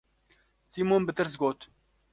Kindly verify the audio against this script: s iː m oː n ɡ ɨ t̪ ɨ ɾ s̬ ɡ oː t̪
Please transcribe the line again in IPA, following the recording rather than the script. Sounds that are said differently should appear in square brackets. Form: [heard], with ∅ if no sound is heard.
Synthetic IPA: s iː m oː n [b] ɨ t̪ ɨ ɾ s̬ ɡ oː t̪